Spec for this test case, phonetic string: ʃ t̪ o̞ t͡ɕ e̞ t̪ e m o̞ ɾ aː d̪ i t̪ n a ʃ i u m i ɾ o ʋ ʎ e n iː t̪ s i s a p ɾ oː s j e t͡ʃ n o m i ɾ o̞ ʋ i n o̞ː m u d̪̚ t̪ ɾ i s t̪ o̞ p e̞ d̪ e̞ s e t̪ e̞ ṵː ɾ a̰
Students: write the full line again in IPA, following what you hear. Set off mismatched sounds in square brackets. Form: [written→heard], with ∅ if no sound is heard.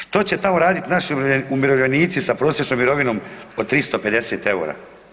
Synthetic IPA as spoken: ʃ t̪ o̞ t͡ɕ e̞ t̪ [e→a] m o̞ ɾ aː d̪ i t̪ n a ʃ i u m i ɾ o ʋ ʎ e n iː t̪ s i s a p ɾ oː s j e t͡ʃ n o m i ɾ o̞ ʋ i n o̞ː m [u→o] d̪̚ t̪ ɾ i s t̪ o̞ p e̞ d̪ e̞ s e t̪ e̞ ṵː ɾ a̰